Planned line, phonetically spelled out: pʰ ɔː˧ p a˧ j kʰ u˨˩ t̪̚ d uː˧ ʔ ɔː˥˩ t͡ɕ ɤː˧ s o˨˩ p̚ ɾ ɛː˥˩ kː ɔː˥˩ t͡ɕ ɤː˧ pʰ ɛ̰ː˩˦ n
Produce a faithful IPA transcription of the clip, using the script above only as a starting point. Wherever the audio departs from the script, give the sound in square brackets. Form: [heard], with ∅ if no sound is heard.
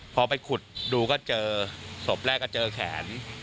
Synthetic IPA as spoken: pʰ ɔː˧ p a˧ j kʰ u˨˩ t̪̚ d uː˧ [k] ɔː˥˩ t͡ɕ ɤː˧ s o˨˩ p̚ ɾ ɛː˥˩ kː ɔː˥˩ t͡ɕ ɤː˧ [kʰ] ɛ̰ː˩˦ n